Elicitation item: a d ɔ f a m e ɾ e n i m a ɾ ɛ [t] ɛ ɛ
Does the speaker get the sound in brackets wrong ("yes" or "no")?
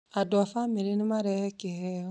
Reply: yes